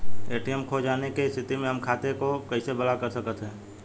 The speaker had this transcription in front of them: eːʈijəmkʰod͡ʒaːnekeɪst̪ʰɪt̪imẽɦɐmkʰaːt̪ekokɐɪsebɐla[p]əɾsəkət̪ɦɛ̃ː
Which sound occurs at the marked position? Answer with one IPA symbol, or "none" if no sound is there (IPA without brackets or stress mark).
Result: k